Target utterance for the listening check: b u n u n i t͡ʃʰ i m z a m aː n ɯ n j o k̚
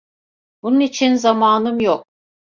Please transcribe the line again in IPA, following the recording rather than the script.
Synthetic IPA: b u n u n i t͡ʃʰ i n z a m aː n ɯ m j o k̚